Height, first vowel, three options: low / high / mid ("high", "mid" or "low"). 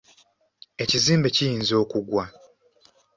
mid